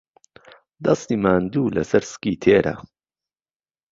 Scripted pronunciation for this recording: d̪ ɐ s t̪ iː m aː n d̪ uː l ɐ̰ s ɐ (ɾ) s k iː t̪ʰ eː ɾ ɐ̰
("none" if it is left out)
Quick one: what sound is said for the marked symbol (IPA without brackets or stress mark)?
ɾ